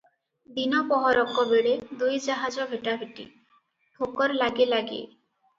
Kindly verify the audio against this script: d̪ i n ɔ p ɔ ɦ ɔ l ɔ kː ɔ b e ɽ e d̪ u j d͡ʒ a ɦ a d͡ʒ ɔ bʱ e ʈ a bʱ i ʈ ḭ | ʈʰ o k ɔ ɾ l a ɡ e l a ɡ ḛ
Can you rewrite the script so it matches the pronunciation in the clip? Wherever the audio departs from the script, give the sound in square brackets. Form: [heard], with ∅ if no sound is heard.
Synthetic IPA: d̪ i n ɔ p ɔ ɦ ɔ [ɾ] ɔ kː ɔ b e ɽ e d̪ u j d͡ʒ a ɦ a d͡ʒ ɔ bʱ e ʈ a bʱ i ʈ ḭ | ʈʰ o k ɔ ɾ l a ɡ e l a ɡ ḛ

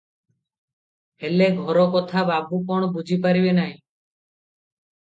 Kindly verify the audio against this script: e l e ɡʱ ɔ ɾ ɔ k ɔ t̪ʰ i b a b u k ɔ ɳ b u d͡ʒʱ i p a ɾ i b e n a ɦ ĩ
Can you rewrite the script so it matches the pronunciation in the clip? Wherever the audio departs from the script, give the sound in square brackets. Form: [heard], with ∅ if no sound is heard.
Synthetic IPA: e l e ɡʱ ɔ ɾ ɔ k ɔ t̪ʰ [a] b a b u k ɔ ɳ b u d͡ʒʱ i p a ɾ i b e n a ɦ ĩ

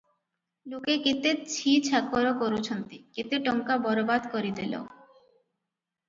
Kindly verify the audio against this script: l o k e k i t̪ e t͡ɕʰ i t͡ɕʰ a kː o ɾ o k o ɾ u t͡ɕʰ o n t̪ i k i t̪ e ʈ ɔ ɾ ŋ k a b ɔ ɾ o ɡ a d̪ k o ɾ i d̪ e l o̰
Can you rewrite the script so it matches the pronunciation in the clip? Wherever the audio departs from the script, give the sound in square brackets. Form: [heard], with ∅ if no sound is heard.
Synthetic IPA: l o k e k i t̪ e t͡ɕʰ i t͡ɕʰ a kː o ɾ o k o ɾ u t͡ɕʰ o n t̪ i k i t̪ e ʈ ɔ [∅] ŋ k a b ɔ ɾ o [b] a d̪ k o ɾ i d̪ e l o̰

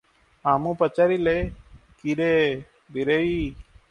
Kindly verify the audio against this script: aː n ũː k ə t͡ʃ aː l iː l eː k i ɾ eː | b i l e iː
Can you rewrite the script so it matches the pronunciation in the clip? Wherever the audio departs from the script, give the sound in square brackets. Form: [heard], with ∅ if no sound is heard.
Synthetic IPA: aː [m] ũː [p] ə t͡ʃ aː [ɾ] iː l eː k i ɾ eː | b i [ɾ] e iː

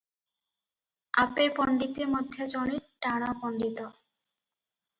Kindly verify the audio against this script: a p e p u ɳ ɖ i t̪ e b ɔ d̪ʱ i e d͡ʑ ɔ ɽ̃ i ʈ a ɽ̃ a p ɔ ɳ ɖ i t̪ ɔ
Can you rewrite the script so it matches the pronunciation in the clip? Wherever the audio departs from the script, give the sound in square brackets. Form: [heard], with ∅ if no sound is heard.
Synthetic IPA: a p e p [ɔ] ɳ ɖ i t̪ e [m] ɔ d̪ʱ [j] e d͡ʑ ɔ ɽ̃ i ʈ a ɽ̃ a p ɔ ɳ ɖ i t̪ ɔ

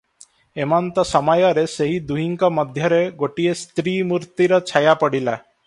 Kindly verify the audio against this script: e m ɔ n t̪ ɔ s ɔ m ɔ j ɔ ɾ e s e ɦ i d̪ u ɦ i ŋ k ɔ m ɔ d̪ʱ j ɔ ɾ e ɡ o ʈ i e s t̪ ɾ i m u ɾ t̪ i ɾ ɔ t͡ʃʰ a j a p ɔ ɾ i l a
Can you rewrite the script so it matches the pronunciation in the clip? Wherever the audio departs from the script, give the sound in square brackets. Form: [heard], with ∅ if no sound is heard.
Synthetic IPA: e m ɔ n t̪ ɔ s ɔ m ɔ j ɔ ɾ e s e ɦ i d̪ u ɦ i ŋ k ɔ m ɔ d̪ʱ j ɔ ɾ e ɡ o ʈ i e s t̪ ɾ i m u ɾ t̪ i ɾ ɔ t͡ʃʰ a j a p ɔ [ɽ] i l a

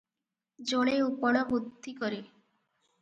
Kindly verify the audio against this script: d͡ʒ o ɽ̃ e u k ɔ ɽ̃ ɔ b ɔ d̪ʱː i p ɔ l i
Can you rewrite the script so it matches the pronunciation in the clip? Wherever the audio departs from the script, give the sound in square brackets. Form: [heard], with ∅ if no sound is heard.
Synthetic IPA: d͡ʒ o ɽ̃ e u [p] ɔ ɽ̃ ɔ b [u] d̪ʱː i [k] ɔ [ɾ] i

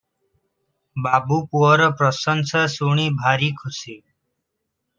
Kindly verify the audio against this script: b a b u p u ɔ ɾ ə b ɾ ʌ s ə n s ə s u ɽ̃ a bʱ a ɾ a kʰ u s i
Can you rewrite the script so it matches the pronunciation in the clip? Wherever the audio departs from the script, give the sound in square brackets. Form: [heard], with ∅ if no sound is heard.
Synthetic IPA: b a b u p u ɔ ɾ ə [p] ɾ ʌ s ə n s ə s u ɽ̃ [i] bʱ a ɾ [i] kʰ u s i

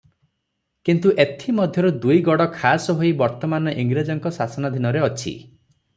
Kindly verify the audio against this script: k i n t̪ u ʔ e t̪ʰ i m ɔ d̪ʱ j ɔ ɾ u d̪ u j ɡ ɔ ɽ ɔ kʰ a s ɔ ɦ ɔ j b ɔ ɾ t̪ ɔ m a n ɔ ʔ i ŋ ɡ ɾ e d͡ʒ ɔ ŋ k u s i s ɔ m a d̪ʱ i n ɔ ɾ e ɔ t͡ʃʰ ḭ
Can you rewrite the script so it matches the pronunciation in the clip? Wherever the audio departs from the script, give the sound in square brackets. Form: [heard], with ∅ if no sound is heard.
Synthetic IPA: k i n t̪ u ʔ e t̪ʰ i m ɔ d̪ʱ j ɔ ɾ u d̪ u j ɡ ɔ ɽ ɔ kʰ a s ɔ ɦ [o] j b ɔ ɾ t̪ ɔ m a n ɔ ʔ i ŋ ɡ ɾ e d͡ʒ ɔ ŋ k [ɔ] s [a] s ɔ [n] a d̪ʱ i n ɔ ɾ e ɔ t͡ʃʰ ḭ

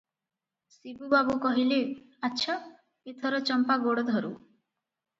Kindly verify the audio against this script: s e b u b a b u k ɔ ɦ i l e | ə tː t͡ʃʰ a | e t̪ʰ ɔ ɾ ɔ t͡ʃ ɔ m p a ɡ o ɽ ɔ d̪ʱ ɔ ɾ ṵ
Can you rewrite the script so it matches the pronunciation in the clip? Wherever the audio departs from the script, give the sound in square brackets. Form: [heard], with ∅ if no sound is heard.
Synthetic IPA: s [i] b u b a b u k ɔ ɦ i l e | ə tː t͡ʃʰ a | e t̪ʰ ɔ ɾ ɔ t͡ʃ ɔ m p a ɡ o ɽ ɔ d̪ʱ ɔ ɾ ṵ

